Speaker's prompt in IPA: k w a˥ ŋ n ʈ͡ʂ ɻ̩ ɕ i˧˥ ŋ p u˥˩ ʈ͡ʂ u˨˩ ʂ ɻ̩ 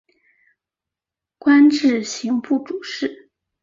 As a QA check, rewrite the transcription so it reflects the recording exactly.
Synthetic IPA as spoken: k w a˥ n ʈ͡ʂ ɻ̩ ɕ i˧˥ ŋ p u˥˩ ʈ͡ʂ u˨˩ ʂ ɻ̩